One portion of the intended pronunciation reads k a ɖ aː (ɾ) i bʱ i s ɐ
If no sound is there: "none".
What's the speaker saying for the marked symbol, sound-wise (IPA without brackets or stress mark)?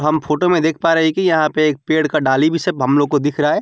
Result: l